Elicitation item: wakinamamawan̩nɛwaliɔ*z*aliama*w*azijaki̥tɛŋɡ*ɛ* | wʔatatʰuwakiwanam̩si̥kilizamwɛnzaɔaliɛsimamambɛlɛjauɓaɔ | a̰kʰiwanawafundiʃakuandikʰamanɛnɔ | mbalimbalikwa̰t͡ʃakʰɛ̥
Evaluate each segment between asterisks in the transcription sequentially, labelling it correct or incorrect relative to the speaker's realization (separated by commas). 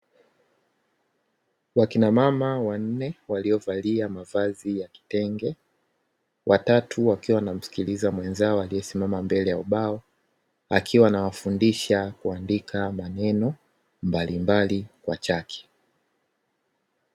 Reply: incorrect, incorrect, correct